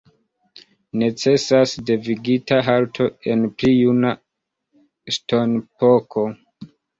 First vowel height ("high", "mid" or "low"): mid